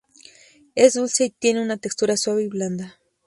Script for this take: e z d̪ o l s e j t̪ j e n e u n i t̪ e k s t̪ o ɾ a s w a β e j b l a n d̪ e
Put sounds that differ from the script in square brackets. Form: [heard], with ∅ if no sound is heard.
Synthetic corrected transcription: e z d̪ [u] l s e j t̪ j e n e u n [a] t̪ e k s t̪ [u] ɾ a s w a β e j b l a n d̪ [a]